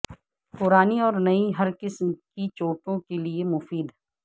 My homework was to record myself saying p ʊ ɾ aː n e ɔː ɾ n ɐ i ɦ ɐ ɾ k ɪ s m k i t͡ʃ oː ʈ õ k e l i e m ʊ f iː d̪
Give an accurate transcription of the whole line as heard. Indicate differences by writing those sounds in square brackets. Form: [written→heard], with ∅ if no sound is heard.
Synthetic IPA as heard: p ʊ ɾ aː n [e→i] ɔː ɾ n ɐ i ɦ ɐ ɾ k ɪ s m k i t͡ʃ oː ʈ õ k e l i e m ʊ f iː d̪